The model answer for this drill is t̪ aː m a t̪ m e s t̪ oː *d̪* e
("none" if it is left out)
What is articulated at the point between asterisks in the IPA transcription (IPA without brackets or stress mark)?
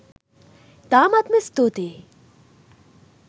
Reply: t̪